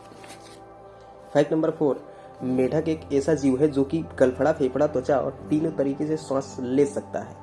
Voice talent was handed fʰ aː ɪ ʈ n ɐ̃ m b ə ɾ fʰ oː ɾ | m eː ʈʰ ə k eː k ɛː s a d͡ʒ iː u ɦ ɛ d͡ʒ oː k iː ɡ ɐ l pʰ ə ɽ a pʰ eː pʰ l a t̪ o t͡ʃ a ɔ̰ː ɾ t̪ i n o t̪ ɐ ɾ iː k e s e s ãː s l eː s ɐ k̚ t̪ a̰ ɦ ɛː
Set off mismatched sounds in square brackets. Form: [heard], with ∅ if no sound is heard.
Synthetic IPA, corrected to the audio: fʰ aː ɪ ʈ n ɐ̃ m b ə ɾ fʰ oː ɾ | m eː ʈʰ ə k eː k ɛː s a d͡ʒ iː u ɦ ɛ d͡ʒ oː k [i] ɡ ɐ l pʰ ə ɽ a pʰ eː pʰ [ɽ] a t̪ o t͡ʃ a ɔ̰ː ɾ t̪ [iː] n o t̪ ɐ ɾ iː k e s e s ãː s l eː s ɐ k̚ t̪ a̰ ɦ ɛː